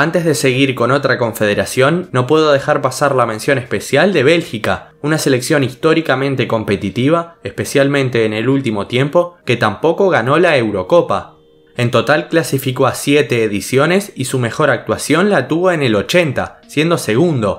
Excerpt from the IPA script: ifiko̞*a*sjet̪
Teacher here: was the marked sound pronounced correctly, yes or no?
yes